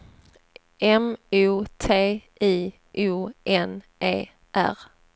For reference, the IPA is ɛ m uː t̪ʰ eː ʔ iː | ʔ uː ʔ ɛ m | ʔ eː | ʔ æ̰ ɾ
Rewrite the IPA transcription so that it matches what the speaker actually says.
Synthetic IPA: ɛ m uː t̪ʰ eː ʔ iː | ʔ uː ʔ ɛ n | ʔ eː | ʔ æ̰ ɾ